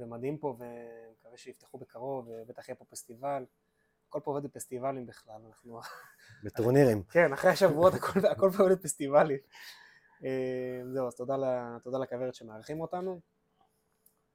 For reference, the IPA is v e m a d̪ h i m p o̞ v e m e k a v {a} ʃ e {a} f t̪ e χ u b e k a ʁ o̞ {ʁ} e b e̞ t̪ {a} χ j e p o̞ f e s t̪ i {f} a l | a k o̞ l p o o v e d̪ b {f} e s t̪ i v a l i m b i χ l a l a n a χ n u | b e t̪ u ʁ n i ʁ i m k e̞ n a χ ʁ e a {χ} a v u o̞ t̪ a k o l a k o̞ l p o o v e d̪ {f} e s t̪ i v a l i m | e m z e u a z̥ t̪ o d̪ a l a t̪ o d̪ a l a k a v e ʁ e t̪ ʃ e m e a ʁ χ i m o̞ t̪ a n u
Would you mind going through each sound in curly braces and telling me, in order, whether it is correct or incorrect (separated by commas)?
incorrect, incorrect, incorrect, correct, incorrect, correct, incorrect, correct